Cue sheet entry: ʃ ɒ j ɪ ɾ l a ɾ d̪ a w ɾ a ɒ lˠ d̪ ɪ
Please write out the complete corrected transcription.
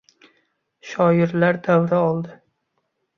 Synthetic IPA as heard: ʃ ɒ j ɪ ɾ l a ɾ d̪ a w ɾ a ɒ lˠ d̪ ɪ